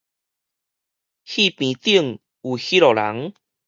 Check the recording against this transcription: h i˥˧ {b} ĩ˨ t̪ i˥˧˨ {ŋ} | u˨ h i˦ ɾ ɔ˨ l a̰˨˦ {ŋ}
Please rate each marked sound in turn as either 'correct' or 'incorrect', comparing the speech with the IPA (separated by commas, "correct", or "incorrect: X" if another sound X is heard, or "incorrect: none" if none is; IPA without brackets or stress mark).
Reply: incorrect: p, correct, correct